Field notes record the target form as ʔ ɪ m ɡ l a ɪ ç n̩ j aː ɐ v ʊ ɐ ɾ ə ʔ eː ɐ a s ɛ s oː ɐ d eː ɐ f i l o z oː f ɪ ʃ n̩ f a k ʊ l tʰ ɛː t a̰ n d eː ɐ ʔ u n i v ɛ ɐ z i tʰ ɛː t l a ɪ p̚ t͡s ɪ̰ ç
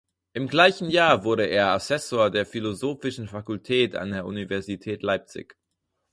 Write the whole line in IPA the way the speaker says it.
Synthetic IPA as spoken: ʔ ɪ m ɡ l a ɪ ç n̩ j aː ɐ v ʊ ɐ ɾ ə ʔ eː ɐ a s ɛ s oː ɐ d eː ɐ f i l o z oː f ɪ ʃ n̩ f a k ʊ l tʰ ɛː t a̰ n d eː ɐ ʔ u n i v ɛ ɐ z i tʰ ɛː t l a ɪ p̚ t͡s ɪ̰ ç